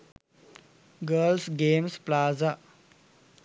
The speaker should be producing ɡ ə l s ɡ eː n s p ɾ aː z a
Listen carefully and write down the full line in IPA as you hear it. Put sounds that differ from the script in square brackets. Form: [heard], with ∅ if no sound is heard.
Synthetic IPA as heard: ɡ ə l s ɡ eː [m] s p [l] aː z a